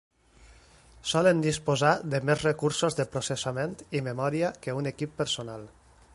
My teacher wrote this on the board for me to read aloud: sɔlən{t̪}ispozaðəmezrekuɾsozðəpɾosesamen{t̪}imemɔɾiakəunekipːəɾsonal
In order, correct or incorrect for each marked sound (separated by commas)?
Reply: incorrect, correct